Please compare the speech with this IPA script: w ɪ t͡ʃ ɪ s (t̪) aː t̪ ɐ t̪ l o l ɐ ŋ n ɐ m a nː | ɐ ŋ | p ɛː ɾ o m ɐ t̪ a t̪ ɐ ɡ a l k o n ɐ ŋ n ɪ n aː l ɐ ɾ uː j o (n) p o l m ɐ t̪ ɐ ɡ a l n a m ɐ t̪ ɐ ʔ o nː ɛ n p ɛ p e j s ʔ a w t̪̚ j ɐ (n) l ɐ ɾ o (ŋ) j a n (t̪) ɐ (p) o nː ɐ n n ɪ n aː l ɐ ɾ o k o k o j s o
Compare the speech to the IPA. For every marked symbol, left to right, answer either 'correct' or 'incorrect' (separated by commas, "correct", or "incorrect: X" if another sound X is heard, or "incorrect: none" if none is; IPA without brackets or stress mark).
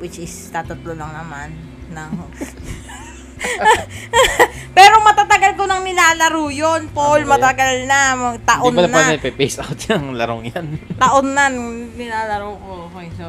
correct, correct, incorrect: ŋ, correct, correct, incorrect: ʔ